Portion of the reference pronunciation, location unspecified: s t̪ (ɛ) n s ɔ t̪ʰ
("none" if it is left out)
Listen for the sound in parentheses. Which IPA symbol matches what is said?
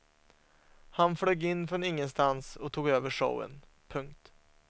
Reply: a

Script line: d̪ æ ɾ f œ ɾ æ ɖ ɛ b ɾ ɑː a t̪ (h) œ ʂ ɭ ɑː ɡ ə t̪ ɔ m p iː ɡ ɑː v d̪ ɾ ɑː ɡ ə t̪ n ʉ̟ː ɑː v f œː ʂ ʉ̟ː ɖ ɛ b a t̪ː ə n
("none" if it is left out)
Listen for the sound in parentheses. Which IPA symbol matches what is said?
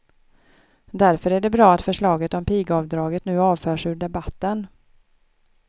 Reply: f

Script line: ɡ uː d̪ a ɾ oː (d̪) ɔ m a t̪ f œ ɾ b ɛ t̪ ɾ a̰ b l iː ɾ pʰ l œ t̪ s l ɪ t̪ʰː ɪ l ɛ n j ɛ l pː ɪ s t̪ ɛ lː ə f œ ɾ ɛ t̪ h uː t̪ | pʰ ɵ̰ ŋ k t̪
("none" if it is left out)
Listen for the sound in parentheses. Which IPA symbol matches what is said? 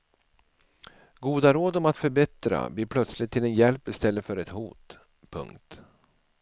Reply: d̪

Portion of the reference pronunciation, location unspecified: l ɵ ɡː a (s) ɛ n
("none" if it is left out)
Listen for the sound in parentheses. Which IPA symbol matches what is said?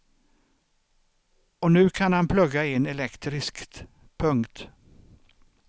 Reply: none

